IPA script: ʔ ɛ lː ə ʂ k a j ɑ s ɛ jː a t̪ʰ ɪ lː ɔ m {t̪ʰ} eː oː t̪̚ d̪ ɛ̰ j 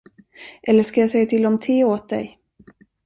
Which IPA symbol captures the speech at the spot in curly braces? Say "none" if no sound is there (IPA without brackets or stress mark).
t̪ʰ